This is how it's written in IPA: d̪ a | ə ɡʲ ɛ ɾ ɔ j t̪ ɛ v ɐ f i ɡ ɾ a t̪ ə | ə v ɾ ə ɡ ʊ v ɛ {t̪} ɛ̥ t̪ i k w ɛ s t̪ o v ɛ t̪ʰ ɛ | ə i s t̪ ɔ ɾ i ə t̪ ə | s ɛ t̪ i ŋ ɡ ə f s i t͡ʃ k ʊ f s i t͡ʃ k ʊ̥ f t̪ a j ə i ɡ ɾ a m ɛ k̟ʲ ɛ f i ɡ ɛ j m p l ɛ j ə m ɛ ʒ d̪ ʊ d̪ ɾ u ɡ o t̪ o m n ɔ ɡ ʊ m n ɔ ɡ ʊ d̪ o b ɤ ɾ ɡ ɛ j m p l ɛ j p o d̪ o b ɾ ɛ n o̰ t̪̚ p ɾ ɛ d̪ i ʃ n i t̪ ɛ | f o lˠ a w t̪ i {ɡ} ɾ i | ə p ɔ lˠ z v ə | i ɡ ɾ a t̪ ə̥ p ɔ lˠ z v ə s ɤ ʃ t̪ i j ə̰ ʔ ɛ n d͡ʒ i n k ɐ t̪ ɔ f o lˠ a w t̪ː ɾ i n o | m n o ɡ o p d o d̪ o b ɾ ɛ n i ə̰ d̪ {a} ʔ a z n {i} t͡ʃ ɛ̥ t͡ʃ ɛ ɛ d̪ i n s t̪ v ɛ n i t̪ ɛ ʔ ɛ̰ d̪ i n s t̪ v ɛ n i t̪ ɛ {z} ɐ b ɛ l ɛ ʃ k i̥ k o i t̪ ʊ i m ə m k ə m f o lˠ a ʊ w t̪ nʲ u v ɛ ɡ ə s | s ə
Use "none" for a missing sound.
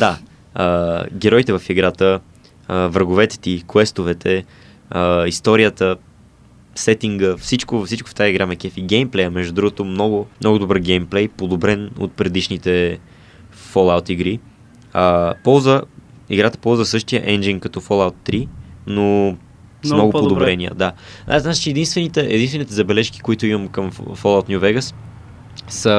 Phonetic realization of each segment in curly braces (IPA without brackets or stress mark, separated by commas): t̪, ɡ, a, a, z